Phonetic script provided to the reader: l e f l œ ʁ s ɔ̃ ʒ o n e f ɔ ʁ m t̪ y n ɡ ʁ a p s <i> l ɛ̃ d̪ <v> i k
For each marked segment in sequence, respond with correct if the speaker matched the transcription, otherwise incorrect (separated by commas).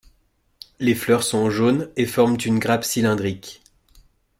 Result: correct, incorrect